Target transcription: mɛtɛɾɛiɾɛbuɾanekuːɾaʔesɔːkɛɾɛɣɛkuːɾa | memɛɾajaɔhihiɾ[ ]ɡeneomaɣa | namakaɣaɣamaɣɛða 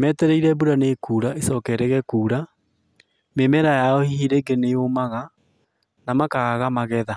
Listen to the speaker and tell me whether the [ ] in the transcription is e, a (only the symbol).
e